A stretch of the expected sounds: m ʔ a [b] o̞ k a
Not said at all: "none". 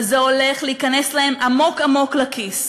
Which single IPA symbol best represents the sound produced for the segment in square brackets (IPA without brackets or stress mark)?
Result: m